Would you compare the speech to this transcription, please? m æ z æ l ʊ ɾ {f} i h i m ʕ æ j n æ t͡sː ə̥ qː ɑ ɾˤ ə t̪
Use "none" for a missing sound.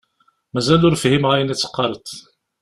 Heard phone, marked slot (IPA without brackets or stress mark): f